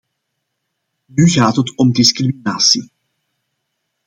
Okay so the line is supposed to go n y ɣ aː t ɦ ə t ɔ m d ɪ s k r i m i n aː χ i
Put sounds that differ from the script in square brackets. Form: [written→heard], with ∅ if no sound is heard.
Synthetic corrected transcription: n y ɣ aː t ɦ ə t ɔ m d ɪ s k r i m i n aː [χ→s] i